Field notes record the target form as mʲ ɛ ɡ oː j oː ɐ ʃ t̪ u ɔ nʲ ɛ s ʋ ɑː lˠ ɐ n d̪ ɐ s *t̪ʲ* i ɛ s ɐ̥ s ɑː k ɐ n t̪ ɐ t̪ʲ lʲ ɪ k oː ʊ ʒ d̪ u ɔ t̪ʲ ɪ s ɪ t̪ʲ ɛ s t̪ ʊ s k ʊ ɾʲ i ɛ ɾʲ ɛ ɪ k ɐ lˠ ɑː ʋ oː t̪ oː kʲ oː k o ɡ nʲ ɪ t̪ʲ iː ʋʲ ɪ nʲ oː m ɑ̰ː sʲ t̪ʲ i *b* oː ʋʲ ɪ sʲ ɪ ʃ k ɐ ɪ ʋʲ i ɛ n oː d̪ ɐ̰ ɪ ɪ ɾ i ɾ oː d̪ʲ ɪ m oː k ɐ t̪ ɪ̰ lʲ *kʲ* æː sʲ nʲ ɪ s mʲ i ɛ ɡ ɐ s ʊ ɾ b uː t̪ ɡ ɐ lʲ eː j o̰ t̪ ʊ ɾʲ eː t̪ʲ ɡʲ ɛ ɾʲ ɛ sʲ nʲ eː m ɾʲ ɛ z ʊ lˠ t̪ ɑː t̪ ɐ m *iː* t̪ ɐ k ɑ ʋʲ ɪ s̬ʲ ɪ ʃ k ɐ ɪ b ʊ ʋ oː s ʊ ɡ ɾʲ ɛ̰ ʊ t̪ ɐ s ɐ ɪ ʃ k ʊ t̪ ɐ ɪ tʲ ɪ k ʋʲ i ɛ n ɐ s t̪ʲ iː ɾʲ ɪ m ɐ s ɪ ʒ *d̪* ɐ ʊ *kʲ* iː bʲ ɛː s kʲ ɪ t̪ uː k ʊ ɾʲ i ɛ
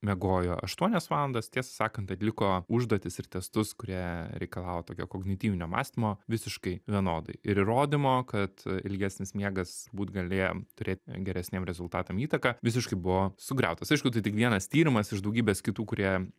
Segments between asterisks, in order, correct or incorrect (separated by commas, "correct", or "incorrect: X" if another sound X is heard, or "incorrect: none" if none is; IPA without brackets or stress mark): correct, incorrect: m, incorrect: ɡʲ, correct, correct, incorrect: ɡʲ